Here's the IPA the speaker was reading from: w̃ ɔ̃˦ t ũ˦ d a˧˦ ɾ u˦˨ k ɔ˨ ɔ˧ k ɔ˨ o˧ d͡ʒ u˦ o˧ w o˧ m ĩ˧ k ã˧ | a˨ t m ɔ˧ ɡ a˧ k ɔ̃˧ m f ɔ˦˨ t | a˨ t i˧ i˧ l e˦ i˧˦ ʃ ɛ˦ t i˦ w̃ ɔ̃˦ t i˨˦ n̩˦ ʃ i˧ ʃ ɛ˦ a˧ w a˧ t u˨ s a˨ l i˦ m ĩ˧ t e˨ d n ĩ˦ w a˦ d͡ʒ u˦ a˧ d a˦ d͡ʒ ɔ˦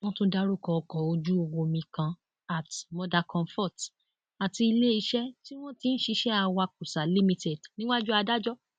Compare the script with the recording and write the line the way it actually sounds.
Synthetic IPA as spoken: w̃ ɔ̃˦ t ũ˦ d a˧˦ ɾ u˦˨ k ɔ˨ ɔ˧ k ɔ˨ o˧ d͡ʒ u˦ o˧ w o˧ m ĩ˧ k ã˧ | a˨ t m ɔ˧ d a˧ k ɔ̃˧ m f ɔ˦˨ t | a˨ t i˧ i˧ l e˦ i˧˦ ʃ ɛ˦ t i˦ w̃ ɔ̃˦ t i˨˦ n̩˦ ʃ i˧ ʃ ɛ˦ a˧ w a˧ k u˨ s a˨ l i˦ m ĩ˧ t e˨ d n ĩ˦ w a˦ d͡ʒ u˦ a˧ d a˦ d͡ʒ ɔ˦

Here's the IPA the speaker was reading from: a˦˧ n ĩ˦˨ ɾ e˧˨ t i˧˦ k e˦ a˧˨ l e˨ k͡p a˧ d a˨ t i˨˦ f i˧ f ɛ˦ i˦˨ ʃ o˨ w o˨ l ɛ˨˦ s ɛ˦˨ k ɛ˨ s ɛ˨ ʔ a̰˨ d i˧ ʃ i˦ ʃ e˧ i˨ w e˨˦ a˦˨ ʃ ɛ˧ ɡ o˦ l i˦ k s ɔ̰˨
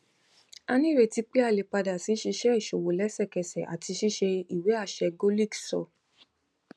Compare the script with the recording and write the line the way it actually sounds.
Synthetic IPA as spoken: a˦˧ n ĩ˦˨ ɾ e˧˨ t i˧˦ k͡p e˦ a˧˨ l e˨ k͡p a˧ d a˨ s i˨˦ ʃ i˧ ʃ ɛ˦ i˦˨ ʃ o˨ w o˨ l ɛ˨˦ s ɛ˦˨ k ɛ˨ s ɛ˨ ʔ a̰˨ t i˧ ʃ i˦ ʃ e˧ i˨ w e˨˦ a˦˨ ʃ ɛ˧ ɡ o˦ l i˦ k s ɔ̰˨

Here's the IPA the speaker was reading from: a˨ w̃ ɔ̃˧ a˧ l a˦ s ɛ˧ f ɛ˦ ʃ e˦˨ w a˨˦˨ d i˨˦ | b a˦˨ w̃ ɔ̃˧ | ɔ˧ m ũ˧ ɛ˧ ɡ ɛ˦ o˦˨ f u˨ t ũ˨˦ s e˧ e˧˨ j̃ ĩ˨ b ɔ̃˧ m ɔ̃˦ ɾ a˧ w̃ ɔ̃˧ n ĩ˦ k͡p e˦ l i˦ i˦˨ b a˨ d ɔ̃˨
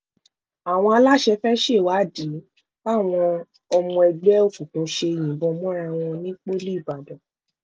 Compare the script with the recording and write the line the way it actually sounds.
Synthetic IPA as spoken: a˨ w̃ ɔ̃˧ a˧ l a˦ ʃ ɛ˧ f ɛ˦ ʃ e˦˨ w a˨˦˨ d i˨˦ | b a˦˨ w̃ ɔ̃˧ | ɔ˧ m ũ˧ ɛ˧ ɡ͡b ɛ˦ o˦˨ f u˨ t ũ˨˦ ʃ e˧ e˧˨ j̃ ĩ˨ b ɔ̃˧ m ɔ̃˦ ɾ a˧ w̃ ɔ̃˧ n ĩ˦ k͡p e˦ l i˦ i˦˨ b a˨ d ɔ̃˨

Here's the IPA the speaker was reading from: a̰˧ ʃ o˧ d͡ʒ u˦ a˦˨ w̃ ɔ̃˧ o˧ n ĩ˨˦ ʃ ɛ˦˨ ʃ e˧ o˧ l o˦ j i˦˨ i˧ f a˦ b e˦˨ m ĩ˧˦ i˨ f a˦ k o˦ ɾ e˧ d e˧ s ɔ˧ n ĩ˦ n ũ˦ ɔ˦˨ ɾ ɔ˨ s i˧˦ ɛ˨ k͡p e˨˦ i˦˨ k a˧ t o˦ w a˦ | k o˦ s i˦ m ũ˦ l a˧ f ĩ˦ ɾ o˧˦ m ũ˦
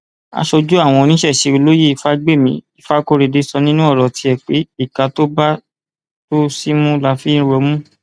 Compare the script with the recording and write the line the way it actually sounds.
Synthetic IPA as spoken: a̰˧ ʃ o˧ d͡ʒ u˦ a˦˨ w̃ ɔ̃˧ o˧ n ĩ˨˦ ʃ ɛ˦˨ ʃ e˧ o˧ l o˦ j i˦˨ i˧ f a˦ ɡ͡b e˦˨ m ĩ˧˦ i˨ f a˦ k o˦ ɾ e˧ d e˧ s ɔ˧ n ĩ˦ n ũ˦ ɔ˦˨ ɾ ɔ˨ t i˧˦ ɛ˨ k͡p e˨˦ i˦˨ k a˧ t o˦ b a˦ | t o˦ s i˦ m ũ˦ l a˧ f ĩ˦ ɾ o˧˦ m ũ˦

